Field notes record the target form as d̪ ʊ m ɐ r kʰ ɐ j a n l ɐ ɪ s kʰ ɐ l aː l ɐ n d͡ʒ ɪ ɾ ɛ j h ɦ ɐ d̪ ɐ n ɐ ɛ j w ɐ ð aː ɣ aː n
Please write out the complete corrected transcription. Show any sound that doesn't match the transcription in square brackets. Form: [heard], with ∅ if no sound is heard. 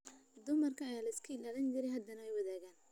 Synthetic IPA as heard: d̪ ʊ m ɐ r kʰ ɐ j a [∅] l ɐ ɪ s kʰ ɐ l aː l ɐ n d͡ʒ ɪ ɾ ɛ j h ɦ ɐ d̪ ɐ n ɐ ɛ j w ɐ ð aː ɣ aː n